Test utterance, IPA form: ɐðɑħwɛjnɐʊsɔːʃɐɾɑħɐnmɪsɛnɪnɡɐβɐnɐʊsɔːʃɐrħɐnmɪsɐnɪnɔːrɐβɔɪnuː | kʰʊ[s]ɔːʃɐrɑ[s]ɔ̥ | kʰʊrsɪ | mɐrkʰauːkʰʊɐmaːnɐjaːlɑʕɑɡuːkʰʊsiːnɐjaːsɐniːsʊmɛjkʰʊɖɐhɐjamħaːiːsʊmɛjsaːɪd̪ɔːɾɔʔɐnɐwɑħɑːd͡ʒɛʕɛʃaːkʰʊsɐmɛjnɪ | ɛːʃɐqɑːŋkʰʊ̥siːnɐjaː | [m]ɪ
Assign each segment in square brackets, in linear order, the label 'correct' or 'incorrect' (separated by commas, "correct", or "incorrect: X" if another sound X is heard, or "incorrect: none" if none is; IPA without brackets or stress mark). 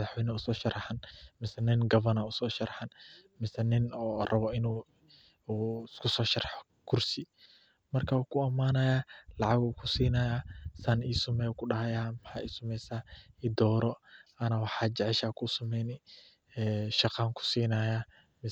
correct, incorrect: ħ, correct